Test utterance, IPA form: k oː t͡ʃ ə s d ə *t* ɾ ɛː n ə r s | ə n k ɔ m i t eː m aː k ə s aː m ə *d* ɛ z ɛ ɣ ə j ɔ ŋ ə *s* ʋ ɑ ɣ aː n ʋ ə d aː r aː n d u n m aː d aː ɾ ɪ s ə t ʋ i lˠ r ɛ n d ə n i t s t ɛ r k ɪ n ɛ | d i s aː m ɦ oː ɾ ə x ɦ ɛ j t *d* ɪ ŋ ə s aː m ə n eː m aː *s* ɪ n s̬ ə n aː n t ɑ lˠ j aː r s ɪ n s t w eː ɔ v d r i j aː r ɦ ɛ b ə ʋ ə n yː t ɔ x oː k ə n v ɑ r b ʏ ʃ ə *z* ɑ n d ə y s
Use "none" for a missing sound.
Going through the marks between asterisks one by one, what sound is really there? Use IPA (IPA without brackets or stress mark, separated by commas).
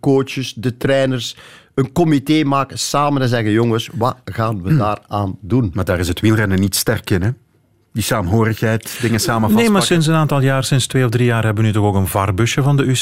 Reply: t, n, s, d, s, v